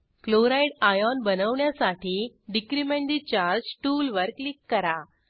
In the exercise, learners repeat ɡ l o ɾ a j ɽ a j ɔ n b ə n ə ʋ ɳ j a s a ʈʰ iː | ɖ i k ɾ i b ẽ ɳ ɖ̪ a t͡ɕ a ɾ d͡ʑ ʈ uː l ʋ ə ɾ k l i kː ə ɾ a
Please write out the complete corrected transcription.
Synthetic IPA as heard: k l o ɾ a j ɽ a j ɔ n b ə n ə ʋ ɳ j a s a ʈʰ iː | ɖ i k ɾ i m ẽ ɳ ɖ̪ i t͡ɕ a ɾ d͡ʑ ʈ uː l ʋ ə ɾ k l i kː ə ɾ a